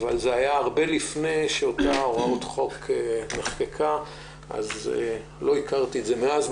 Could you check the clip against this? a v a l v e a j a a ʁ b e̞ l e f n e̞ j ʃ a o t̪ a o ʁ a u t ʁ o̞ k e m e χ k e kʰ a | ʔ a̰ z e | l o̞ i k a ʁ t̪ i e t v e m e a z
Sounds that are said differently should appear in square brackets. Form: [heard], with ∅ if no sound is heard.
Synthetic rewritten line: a v a l [z] e a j a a ʁ b e̞ l [i] f n e̞ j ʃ [e] o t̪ a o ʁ a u t [χ] o̞ k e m e χ k e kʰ a | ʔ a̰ z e | l o̞ i k a ʁ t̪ i e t [z] e m e a z